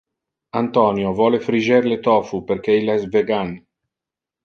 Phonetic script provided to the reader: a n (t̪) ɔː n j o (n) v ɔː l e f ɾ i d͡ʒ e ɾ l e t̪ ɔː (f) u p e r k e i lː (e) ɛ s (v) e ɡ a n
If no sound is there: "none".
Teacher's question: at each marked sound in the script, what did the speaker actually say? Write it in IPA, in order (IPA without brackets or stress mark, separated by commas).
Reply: t̪, none, f, a, v